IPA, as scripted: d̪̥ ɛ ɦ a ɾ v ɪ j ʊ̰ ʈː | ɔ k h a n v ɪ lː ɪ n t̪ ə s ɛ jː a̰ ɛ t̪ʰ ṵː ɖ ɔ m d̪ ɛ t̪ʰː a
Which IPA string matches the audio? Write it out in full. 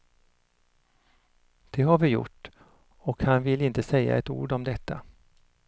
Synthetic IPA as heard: d̪̥ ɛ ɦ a ɾ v ɪ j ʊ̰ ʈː | ɔ k h a n v ɪ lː ɪ n t̪ ə s ɛ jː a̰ ɛ t̪ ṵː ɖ ɔ m d̪ ɛ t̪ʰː a